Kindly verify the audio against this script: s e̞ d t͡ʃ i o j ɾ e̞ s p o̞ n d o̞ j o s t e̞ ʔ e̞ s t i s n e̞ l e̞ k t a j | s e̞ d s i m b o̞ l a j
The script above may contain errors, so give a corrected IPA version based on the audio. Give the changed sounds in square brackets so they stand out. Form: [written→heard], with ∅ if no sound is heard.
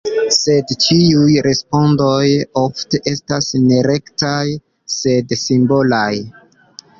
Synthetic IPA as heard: s e̞ d t͡ʃ i [o→u] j ɾ e̞ s p o̞ n d o̞ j o [s→f] t e̞ ʔ e̞ s t [i→a] s n e̞ [l→ɾ] e̞ k t a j | s e̞ d s i m b o̞ l a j